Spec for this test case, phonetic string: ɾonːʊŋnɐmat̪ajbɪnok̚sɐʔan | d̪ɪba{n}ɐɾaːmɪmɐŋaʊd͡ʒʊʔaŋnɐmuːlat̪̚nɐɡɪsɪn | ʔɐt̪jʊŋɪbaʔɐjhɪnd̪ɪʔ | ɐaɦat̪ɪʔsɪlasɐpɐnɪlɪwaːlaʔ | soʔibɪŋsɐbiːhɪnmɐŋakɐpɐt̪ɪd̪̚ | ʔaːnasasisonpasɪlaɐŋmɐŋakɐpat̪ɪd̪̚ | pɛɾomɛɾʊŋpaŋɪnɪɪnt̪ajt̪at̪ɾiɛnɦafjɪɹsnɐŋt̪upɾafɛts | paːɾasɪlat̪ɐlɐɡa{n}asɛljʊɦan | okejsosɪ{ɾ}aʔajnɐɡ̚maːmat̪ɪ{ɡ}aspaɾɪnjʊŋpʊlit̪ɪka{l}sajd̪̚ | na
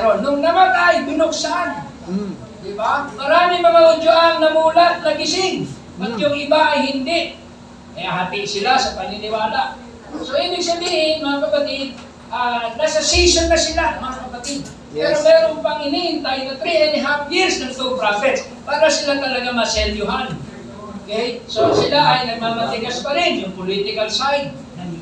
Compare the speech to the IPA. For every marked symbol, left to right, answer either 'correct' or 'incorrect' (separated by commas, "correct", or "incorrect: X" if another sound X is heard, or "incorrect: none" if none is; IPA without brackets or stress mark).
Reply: incorrect: m, incorrect: m, incorrect: l, correct, correct